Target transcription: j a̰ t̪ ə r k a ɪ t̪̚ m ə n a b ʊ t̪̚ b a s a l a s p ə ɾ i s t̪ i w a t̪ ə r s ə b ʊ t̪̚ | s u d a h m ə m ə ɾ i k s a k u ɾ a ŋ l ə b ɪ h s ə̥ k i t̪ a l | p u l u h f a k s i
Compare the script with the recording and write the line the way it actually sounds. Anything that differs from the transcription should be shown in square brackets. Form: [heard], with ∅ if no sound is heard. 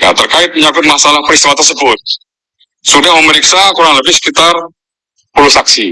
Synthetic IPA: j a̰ t̪ ə r k a ɪ t̪̚ m ə [ɲ] a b ʊ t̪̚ [m] a s a l a [h] p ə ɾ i s t̪ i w a t̪ ə r s ə b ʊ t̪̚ | s u d a h m ə m ə ɾ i k s a k u ɾ a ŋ l ə b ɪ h s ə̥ k i t̪ a [r] | p u l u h [s] a k s i

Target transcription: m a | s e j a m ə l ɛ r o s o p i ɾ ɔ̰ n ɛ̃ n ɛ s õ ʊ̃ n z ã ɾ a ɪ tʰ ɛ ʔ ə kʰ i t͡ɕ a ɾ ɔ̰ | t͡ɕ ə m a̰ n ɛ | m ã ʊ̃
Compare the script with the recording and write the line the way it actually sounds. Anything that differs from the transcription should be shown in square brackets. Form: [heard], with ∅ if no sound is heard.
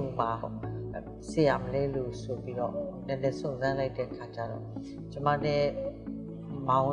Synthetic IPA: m a | s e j a m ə l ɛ [l] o s o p i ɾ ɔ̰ n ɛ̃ n ɛ s õ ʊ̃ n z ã [l] a ɪ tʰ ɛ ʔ ə kʰ [a] t͡ɕ a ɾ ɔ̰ | t͡ɕ ə m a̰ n ɛ | m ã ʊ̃

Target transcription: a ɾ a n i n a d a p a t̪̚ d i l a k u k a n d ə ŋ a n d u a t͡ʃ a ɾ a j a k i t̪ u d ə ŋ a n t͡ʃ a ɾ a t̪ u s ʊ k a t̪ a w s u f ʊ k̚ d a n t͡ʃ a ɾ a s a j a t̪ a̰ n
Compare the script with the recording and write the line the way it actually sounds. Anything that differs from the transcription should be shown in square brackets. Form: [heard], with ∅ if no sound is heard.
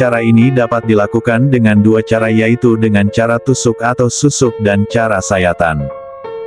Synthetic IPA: a ɾ a [∅] i n [i] d a p a t̪̚ d i l a k u k a n d ə ŋ a n d u a t͡ʃ a ɾ a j a [∅] i t̪ u d ə ŋ a n t͡ʃ a ɾ a t̪ u s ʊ k a t̪ a w s u [s] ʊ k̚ d a n t͡ʃ a ɾ a s a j a t̪ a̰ n

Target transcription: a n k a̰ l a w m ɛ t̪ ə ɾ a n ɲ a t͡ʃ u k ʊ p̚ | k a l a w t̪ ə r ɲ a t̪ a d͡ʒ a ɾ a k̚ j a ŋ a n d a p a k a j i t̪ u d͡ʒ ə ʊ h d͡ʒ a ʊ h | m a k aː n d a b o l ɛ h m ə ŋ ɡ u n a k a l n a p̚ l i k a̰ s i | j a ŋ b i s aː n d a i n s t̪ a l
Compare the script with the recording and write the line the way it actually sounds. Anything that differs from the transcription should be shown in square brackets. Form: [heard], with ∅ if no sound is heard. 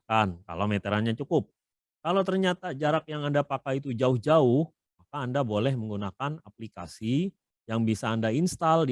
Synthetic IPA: a n k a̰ l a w m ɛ t̪ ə ɾ a n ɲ a t͡ʃ u k ʊ p̚ | k a l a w t̪ ə r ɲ a t̪ a d͡ʒ a ɾ a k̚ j a ŋ a n d a p a k a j i t̪ u d͡ʒ [a] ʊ h d͡ʒ a ʊ h | m a k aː n d a b o l ɛ h m ə ŋ ɡ u n a k a [∅] n a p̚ l i k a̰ s i | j a ŋ b i s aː n d a i n s t̪ a l

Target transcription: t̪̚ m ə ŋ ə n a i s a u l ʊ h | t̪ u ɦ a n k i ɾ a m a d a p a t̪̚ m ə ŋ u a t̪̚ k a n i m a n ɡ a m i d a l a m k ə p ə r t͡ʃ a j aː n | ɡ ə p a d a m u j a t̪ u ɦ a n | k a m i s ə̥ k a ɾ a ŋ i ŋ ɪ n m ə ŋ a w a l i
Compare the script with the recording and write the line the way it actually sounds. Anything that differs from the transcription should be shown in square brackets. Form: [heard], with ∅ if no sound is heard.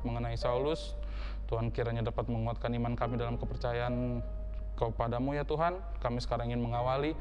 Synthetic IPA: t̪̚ m ə ŋ ə n a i s a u l ʊ [s] | t̪ u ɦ a n k i ɾ a [ɲ] a d a p a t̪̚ m ə ŋ u a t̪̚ k a n i m a n [k] a m i d a l a m k ə p ə r t͡ʃ a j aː n | [k] ə p a d a m u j a t̪ u ɦ a n | k a m i s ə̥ k a ɾ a ŋ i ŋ ɪ n m ə ŋ a w a l i

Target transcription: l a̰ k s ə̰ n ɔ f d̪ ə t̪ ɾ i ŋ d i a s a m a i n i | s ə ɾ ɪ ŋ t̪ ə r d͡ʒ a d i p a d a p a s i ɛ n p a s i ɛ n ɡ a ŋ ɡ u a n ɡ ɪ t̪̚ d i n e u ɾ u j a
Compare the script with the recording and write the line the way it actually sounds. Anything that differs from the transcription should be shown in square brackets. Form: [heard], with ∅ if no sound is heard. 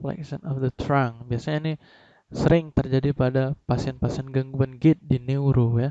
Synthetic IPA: l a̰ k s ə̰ n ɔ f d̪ ə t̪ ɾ [a] ŋ [b] i a s a [ɲ] a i n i | s ə ɾ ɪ ŋ t̪ ə r d͡ʒ a d i p a d a p a s i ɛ n p a s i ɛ n ɡ a ŋ ɡ u a n ɡ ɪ t̪̚ d i n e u ɾ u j a

